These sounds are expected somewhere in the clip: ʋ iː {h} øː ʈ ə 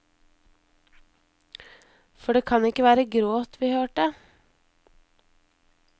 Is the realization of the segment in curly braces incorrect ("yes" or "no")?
no